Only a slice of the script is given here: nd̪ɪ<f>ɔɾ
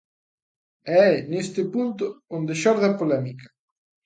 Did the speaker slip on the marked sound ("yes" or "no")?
yes